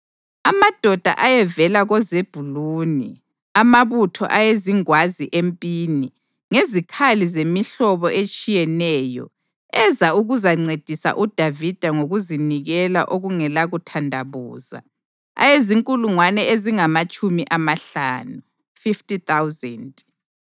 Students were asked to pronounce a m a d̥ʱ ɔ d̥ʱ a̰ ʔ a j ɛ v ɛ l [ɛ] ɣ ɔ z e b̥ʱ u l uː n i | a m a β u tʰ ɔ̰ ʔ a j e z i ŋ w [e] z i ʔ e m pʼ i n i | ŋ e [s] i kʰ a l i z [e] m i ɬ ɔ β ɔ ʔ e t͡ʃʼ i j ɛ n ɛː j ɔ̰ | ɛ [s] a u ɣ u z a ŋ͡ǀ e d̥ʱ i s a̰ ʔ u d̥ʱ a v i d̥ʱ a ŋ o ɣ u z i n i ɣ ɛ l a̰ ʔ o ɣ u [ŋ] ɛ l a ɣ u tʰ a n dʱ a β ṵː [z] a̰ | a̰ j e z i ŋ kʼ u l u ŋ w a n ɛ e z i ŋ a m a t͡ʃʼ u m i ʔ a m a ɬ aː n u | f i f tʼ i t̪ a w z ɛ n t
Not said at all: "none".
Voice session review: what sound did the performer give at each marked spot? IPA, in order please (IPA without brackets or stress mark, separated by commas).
a, a, z, e, z, ŋ, z